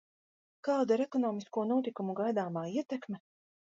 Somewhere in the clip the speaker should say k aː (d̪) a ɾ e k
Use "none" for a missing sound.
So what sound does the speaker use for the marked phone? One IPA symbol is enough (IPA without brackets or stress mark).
d̪